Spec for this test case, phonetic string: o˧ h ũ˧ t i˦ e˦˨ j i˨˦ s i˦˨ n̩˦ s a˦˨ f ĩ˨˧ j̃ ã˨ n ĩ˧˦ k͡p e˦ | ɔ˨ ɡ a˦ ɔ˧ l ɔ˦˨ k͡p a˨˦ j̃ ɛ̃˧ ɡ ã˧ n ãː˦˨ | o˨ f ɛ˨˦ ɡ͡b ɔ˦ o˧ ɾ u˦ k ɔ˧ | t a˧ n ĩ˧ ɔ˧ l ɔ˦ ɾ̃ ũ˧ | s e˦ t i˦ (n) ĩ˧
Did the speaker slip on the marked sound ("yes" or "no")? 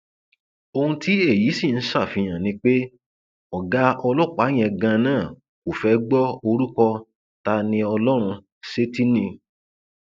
no